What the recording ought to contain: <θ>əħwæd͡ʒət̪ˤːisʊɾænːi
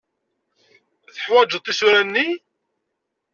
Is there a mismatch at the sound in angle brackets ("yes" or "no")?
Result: no